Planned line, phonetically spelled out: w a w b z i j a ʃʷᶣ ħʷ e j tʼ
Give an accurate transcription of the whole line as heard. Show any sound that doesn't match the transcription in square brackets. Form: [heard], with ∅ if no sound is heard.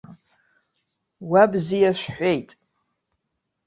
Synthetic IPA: w a [∅] b z i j a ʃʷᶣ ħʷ e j tʼ